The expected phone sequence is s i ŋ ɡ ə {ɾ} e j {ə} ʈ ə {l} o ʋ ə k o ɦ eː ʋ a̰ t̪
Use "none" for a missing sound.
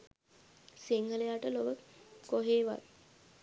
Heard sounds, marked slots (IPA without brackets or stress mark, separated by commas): l, a, l